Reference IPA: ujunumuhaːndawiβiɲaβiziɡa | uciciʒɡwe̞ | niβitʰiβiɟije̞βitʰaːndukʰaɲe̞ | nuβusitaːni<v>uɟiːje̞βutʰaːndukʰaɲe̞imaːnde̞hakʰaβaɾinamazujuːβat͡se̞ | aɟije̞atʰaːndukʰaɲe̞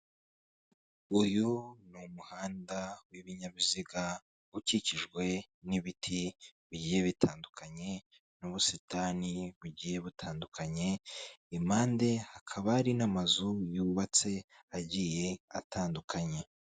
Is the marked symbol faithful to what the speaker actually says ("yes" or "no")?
no